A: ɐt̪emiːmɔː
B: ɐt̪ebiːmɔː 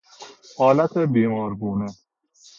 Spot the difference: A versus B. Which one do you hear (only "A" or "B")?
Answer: B